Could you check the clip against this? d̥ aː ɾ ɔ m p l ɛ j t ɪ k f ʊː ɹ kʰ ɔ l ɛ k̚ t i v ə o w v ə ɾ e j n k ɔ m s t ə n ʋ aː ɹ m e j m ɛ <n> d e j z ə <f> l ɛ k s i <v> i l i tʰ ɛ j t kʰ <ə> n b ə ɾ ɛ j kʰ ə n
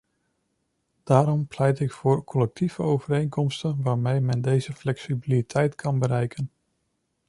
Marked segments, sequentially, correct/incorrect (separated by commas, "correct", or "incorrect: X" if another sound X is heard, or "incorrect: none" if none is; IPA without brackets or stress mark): correct, correct, incorrect: b, incorrect: ɑ